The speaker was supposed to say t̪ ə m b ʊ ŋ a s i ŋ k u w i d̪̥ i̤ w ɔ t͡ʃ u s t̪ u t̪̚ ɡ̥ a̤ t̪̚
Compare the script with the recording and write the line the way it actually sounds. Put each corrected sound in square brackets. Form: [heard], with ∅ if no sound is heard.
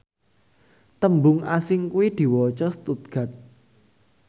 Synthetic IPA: t̪ ə m b ʊ ŋ a s [ɪ] ŋ k u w i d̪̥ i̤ w ɔ t͡ʃ [ɔ] s t̪ u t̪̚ ɡ̥ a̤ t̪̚